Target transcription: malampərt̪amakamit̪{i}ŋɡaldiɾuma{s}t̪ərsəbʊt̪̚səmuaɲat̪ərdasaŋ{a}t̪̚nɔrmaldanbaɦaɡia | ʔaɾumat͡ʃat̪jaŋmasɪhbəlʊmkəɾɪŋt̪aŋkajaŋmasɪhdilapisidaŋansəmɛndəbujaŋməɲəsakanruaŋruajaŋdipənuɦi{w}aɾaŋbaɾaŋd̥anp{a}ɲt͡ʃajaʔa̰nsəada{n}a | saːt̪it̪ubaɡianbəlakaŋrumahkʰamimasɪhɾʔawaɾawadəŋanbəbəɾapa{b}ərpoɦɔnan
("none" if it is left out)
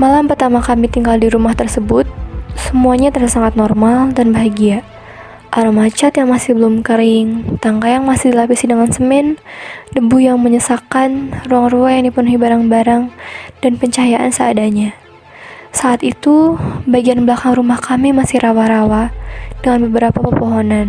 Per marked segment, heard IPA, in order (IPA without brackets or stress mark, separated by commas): i, h, a, b, ə, ɲ, p